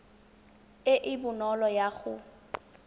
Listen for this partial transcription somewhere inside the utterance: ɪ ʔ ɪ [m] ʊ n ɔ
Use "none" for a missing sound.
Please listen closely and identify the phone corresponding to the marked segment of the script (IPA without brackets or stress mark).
b